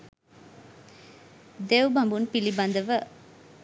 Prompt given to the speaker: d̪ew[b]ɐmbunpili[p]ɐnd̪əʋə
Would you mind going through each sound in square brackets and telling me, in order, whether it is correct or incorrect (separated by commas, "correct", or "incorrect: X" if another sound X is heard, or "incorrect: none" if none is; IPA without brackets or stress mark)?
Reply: correct, incorrect: b